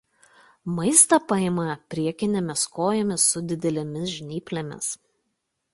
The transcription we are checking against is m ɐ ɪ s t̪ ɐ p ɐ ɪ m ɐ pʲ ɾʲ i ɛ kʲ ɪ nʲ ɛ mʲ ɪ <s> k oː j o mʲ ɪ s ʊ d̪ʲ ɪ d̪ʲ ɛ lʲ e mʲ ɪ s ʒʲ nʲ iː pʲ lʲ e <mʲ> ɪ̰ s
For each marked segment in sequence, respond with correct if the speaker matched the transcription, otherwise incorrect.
correct, correct

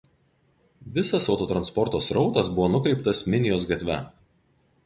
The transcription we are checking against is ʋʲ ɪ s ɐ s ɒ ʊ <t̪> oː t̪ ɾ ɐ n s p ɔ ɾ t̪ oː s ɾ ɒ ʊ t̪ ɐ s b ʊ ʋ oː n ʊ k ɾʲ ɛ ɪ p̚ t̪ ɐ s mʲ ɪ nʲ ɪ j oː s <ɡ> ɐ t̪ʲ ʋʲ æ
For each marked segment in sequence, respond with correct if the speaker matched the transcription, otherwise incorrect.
correct, correct

